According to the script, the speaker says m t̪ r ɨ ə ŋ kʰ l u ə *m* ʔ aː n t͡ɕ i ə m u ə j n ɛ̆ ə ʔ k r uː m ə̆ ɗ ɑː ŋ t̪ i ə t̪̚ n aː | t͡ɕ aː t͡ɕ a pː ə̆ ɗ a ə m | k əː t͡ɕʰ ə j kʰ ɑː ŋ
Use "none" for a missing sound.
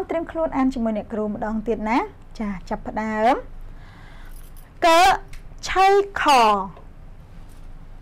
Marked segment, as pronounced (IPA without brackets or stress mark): n